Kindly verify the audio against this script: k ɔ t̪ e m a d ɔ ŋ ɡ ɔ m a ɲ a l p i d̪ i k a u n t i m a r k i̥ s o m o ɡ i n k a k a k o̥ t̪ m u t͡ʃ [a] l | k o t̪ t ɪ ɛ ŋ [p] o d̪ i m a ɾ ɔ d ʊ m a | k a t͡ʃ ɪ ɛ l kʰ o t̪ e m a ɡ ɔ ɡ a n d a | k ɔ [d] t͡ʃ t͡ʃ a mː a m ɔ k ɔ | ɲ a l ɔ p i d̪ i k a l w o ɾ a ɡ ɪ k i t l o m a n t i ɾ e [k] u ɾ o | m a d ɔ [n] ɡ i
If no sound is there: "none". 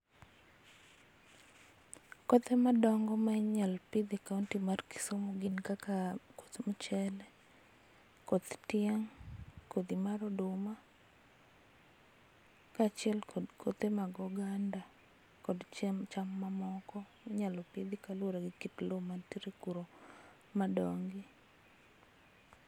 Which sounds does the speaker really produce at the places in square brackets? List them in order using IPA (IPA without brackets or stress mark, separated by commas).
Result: ɛ, k, d, k, ŋ